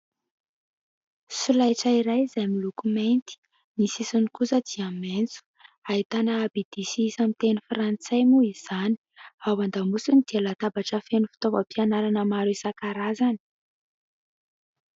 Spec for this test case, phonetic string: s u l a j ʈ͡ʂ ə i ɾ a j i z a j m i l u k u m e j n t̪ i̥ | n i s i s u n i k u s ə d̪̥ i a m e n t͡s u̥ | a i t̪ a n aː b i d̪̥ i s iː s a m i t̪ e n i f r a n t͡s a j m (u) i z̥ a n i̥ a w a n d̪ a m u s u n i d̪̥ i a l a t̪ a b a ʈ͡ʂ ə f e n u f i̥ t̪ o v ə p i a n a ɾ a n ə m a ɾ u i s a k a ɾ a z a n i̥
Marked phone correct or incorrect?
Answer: correct